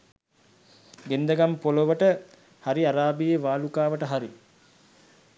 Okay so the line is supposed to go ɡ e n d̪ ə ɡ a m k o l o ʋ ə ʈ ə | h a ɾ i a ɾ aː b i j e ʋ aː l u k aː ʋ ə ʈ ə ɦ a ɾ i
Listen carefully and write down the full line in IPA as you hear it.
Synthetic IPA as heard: ɡ e n d̪ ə ɡ a m p o l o ʋ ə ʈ ə | h a ɾ i a ɾ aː b i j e ʋ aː l u k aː ʋ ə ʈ ə ɦ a ɾ i